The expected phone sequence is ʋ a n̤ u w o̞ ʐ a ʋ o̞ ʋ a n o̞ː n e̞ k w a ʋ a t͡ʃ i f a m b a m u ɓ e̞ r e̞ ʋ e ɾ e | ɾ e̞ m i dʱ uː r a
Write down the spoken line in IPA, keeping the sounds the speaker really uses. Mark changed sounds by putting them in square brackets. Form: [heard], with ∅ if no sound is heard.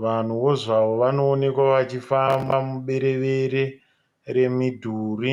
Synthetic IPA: ʋ a n̤ u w o̞ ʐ a ʋ o̞ ʋ a n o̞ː n e̞ k w a ʋ a t͡ʃ i f a m b a m u ɓ e̞ [ɾ] e̞ ʋ e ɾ e | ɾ e̞ m i dʱ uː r [i]